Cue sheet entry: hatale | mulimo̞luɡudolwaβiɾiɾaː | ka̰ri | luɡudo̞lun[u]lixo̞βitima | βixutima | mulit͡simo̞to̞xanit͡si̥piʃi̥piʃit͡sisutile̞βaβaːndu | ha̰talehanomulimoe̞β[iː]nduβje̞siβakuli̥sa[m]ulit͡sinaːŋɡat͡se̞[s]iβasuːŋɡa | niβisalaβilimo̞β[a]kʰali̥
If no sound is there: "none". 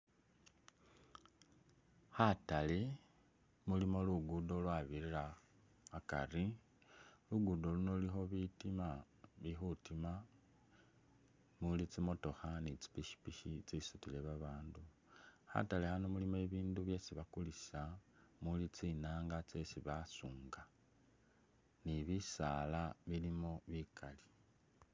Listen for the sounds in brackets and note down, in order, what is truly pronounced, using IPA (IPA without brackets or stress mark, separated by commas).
o, iː, m, s, i